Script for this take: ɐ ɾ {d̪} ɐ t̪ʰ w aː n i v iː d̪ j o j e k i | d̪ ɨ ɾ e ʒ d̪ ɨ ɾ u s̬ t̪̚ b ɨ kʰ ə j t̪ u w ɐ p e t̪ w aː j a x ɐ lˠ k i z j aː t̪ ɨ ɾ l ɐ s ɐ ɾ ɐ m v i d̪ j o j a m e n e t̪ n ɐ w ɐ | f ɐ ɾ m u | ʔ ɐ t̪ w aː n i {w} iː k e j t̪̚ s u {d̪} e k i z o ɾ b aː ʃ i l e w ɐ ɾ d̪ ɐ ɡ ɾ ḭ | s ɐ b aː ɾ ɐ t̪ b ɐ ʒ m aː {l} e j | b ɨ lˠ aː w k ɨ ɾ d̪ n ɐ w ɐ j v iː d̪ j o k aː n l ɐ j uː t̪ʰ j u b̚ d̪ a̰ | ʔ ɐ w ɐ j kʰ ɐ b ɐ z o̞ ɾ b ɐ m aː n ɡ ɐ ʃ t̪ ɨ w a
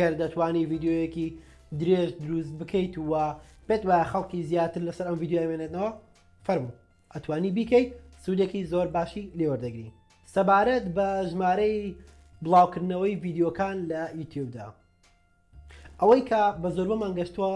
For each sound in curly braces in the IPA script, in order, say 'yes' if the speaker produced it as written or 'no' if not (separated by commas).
yes, no, yes, no